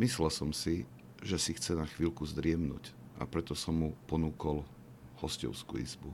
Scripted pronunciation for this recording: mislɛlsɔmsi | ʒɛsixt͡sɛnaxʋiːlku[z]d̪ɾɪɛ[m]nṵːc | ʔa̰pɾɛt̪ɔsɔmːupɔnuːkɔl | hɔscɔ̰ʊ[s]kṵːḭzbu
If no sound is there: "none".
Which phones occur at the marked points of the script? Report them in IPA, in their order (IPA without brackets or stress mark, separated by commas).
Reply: z, m, s